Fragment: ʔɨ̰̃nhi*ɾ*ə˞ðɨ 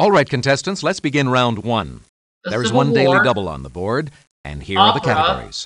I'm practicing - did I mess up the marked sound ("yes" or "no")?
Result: yes